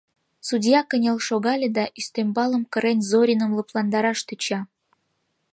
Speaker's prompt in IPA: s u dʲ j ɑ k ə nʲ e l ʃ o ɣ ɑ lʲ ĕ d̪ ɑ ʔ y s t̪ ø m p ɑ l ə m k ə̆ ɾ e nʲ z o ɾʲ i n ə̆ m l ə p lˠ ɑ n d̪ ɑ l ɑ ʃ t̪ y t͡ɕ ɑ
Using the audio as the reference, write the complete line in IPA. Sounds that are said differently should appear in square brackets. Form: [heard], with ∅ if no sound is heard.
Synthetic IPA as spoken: s u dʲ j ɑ k ə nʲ e l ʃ o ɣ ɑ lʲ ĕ d̪ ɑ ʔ y s t̪ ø m [b] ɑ l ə m k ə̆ ɾ e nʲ z o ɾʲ i n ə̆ m l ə p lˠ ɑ n d̪ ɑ [ɾ] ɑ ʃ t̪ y t͡ɕ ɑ